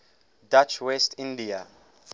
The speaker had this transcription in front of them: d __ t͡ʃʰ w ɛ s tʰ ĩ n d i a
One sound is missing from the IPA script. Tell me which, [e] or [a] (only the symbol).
a